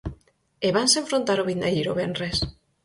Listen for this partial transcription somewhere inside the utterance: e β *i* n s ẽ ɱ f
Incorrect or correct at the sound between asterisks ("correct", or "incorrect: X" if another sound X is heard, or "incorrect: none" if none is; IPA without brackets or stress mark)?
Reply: incorrect: a